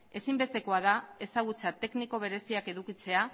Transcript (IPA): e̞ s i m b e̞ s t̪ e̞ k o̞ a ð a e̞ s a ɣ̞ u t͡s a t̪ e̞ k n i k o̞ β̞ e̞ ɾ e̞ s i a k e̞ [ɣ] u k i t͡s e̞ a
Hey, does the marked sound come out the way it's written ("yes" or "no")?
no